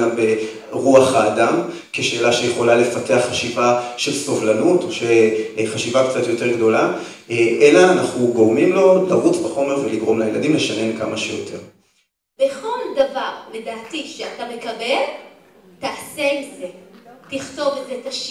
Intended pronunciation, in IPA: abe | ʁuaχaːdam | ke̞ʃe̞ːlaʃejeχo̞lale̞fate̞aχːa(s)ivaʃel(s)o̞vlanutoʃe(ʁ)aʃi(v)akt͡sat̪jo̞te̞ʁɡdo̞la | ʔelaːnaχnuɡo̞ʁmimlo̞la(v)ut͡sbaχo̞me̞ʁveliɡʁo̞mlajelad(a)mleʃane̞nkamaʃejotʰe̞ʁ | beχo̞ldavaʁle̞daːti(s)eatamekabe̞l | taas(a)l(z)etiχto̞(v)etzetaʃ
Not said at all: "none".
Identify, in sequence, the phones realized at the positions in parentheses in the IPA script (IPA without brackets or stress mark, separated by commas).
ʃ, s, χ, v, ʁ, i, ʃ, e, z, v